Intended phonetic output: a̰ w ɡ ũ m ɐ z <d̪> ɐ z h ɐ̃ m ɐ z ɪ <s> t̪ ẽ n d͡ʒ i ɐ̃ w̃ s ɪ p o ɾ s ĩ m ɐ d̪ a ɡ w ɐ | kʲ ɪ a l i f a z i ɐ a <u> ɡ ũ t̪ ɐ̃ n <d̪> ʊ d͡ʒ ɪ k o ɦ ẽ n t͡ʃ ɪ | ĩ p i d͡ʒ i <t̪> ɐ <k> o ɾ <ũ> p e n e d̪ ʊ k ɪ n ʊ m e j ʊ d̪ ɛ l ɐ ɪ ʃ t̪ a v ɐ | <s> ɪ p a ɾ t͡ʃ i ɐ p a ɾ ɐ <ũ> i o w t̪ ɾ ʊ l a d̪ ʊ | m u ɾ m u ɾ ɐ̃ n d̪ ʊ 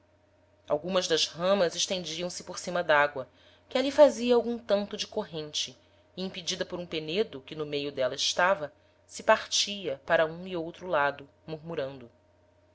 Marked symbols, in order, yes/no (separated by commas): yes, no, no, no, no, no, yes, yes, yes